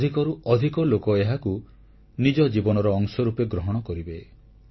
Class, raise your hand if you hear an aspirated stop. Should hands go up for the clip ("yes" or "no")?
no